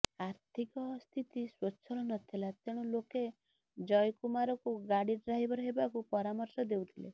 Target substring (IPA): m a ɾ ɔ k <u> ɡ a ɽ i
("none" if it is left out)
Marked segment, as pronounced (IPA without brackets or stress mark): u